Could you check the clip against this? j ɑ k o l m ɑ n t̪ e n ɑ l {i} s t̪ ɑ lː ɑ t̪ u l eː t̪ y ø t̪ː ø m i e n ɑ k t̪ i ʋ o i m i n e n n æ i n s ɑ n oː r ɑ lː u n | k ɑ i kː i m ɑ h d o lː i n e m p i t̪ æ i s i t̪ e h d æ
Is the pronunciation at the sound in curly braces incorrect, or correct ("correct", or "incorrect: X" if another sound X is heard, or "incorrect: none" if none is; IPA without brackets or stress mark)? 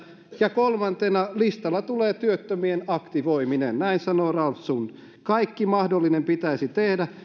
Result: correct